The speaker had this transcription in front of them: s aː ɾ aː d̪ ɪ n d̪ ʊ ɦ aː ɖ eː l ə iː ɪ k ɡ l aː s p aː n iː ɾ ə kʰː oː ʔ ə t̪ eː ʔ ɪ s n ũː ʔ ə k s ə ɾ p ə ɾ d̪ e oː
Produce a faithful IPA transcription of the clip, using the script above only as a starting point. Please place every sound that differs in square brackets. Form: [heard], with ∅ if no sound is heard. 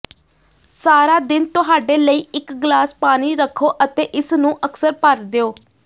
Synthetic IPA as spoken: s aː ɾ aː d̪ ɪ n [t̪] ʊ ɦ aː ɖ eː l ə iː ɪ k ɡ l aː s p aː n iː ɾ ə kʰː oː ʔ ə t̪ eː ʔ ɪ s n ũː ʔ ə k s ə ɾ p ə ɾ d̪ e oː